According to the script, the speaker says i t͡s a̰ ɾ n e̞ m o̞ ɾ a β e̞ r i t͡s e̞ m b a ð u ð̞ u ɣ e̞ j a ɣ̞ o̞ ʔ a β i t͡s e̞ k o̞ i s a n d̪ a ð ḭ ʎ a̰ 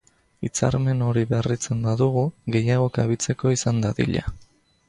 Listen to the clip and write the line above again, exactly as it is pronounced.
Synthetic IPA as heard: i t͡s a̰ ɾ m e̞ n o̞ ɾ i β e̞ r i t͡s e̞ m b a ð u ɣ̞ u ɣ e̞ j a ɣ̞ o̞ k a β i t͡s e̞ k o̞ i s a n d̪ a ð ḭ ʎ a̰